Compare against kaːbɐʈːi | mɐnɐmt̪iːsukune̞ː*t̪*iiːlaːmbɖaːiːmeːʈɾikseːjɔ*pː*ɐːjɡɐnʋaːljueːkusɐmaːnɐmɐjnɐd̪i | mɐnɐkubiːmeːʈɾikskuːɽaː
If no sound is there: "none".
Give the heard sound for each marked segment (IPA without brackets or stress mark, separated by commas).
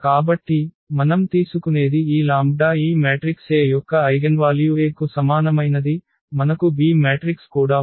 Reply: d̪, kː